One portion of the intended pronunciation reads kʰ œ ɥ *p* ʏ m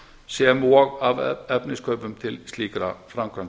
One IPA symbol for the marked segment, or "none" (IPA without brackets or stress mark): p